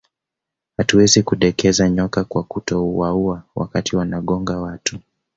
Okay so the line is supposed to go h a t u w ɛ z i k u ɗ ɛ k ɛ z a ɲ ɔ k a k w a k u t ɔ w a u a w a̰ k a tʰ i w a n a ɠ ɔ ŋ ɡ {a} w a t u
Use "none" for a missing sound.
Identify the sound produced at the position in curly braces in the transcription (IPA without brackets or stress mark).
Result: a